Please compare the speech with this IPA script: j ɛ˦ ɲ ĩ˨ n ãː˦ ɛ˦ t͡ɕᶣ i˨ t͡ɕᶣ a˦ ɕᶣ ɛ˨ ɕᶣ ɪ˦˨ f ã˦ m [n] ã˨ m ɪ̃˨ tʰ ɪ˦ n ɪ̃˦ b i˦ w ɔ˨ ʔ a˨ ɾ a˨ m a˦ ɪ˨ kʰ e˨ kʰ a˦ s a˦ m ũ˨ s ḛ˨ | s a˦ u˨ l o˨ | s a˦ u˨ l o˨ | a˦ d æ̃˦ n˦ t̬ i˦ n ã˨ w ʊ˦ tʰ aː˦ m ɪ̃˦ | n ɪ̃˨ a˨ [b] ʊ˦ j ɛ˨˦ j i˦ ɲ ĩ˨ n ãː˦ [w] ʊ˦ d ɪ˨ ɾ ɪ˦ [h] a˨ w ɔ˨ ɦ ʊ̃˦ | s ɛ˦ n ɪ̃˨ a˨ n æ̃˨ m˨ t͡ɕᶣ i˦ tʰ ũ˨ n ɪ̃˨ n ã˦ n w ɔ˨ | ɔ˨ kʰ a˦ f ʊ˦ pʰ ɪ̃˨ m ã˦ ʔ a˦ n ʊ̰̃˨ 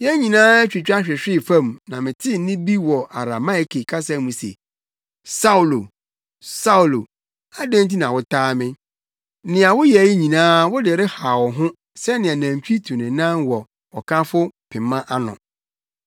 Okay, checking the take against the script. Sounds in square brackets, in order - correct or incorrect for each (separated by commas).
correct, incorrect, correct, correct